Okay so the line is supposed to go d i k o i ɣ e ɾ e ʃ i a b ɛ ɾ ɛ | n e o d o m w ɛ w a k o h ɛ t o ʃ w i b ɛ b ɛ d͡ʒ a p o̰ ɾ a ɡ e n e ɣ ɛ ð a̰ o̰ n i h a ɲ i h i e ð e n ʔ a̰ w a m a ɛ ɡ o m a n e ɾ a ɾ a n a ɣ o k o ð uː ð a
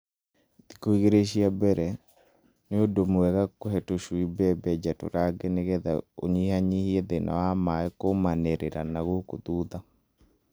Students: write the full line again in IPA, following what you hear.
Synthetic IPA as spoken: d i k o i ɣ e ɾ e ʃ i a b ɛ ɾ ɛ | n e o d o m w ɛ ɣ a k o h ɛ t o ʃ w i b ɛ b ɛ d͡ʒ a t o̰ ɾ a ɡ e n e ɣ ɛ ð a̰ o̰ ɲ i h a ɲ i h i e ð e n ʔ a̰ w a m a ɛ k o m a n e ɾ e ɾ a n a ɣ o k o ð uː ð a